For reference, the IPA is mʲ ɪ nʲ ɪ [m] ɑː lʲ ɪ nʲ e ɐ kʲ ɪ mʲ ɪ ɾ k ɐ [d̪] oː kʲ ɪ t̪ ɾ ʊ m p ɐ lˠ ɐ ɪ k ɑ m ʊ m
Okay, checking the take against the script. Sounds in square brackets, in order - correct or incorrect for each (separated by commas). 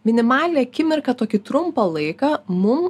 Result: correct, incorrect